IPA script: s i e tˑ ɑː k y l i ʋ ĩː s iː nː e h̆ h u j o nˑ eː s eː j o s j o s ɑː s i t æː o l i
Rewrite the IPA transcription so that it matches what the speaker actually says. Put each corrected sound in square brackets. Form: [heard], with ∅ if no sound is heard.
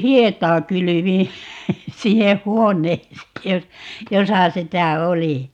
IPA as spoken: [h] i e tˑ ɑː k y l [y] ʋ ĩː s [i] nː e h̆ h u [∅] o nˑ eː s eː j o s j o s [ɑ] s i t [æ] o l i